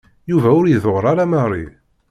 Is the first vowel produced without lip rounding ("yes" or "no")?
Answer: no